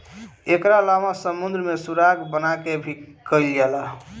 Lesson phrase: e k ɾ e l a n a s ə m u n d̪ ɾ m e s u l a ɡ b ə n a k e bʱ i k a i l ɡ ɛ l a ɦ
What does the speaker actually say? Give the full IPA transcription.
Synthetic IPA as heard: e k ɾ a l a m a s ə m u n d̪ ɾ m e s u ɾ a ɡ b ə n a k e bʱ i k ə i l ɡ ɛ l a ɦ